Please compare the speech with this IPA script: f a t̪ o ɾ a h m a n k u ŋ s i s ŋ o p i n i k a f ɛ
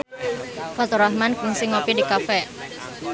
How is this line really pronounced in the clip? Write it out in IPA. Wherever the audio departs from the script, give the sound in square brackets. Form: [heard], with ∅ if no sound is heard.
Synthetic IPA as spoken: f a t̪ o ɾ a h m a n k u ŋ s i [∅] ŋ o p i [d] i k a f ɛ